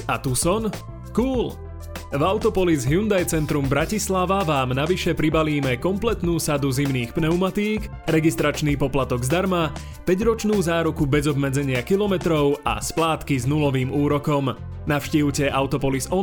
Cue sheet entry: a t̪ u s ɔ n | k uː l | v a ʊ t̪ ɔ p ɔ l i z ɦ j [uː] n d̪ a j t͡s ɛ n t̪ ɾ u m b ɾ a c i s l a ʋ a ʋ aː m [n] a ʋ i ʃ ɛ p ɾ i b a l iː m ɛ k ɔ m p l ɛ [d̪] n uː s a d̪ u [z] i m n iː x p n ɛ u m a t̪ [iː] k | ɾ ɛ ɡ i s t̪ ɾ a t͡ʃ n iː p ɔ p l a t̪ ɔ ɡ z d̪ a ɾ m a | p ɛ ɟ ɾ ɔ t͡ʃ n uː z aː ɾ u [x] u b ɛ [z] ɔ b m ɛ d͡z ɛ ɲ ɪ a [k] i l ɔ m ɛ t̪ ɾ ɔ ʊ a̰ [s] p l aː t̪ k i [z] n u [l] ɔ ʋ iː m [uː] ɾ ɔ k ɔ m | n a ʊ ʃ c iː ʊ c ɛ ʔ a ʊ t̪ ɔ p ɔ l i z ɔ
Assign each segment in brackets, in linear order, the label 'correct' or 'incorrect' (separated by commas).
incorrect, correct, incorrect, correct, correct, incorrect, correct, correct, correct, correct, correct, correct